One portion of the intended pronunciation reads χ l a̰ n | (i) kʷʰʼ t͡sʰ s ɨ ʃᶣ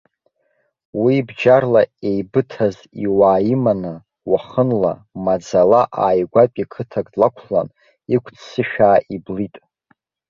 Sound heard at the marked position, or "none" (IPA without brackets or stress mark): i